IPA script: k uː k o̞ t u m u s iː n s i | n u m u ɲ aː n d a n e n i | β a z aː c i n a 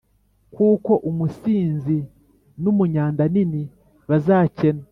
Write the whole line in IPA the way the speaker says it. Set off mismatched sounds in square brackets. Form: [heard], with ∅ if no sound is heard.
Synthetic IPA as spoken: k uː k o̞ [ʔ] u m u s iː n [z] i | n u m u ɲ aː n d a n [i] n i | β a z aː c [e] n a